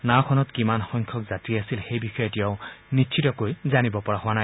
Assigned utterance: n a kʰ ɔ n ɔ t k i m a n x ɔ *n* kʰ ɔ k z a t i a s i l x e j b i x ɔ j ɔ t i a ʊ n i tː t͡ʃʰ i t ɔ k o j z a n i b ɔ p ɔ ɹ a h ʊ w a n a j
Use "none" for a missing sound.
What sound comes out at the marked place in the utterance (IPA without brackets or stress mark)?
ŋ